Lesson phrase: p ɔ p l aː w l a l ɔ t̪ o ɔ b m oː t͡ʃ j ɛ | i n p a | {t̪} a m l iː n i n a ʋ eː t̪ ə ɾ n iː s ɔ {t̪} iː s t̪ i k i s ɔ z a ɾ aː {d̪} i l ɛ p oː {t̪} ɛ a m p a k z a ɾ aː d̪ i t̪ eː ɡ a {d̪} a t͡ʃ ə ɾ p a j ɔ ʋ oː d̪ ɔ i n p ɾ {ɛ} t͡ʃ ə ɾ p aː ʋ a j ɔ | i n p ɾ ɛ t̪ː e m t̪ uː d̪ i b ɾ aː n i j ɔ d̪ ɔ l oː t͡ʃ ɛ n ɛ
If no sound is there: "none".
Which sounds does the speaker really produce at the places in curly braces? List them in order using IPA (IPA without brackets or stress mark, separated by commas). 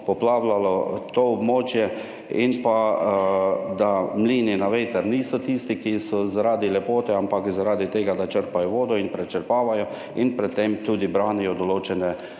d̪, t̪, d̪, t̪, d̪, ɛ